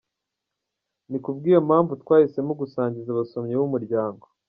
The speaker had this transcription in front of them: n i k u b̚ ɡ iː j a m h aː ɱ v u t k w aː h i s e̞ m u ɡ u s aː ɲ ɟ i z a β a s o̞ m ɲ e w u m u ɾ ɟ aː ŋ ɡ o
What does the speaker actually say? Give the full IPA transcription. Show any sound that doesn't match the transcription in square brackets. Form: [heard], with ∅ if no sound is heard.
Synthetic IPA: n i k u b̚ ɡ iː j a m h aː ɱ v u t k w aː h i s e̞ m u ɡ u s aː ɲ ɟ i z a β a s o̞ m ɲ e w u m u ɾ ɟ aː ŋ ɡ o